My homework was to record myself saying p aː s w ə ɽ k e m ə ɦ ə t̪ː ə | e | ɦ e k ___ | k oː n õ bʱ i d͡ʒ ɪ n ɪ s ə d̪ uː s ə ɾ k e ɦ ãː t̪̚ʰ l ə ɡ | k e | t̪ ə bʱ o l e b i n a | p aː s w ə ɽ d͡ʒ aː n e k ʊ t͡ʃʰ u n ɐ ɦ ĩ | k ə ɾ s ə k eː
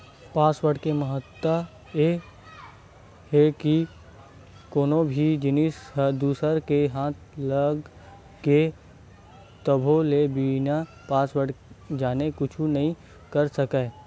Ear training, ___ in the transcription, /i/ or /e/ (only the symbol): i